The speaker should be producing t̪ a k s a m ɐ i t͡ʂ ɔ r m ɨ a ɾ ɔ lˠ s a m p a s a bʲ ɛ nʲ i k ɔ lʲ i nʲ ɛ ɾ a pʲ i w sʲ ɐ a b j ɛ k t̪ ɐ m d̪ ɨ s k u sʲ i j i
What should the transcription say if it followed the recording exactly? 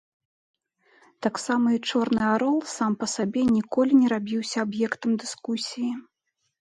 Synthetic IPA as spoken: t̪ a k s a m ɐ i t͡ʂ ɔ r n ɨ a ɾ ɔ lˠ s a m p ɐ s a bʲ ɛ nʲ i k ɔ lʲ i nʲ ɛ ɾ a bʲ i w sʲ ɐ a b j ɛ k t̪ ɐ m d̪ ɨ s k u sʲ i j i